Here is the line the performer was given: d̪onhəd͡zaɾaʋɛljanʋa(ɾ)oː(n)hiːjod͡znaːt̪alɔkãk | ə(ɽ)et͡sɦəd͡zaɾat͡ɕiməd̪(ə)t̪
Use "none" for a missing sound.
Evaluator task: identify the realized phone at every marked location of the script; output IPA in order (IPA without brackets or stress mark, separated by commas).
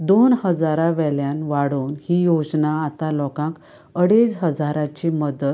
ɽ, n, ɽ, ə